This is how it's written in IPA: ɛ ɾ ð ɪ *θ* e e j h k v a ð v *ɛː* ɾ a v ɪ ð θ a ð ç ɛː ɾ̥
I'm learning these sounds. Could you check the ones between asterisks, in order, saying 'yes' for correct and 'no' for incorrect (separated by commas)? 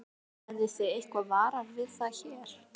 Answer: no, no